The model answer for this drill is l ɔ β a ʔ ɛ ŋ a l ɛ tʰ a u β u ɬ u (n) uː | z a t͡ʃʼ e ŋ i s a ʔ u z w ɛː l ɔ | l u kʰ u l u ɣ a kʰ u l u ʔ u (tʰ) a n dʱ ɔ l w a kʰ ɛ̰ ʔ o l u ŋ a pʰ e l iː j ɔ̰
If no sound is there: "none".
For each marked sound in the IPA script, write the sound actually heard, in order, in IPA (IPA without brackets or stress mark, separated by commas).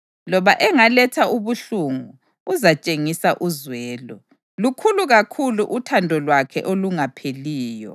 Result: ŋ, tʰ